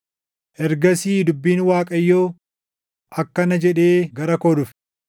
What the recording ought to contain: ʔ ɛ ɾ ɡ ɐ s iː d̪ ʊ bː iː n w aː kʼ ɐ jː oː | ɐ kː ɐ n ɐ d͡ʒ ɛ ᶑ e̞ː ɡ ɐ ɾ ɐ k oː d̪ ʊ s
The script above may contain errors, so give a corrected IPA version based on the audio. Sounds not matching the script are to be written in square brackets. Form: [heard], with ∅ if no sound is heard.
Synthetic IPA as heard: ʔ ɛ ɾ ɡ ɐ s iː d̪ ʊ bː iː n w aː kʼ ɐ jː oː | ɐ kː ɐ n ɐ d͡ʒ ɛ ᶑ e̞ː ɡ ɐ ɾ ɐ k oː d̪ ʊ [f]

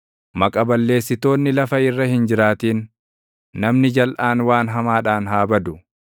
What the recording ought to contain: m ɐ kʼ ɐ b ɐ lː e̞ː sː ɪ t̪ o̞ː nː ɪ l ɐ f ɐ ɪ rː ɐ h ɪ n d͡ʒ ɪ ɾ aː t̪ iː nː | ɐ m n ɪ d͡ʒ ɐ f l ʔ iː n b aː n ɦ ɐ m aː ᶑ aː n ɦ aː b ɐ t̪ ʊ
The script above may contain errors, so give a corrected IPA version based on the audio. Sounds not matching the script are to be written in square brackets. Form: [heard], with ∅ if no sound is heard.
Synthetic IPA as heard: m ɐ kʼ ɐ b ɐ lː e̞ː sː ɪ t̪ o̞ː nː ɪ l ɐ f ɐ ɪ rː ɐ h ɪ n d͡ʒ ɪ ɾ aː t̪ iː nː | ɐ m n ɪ d͡ʒ ɐ [∅] l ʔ [aː] n [w] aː n ɦ ɐ m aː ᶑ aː n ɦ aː b ɐ [d̪] ʊ

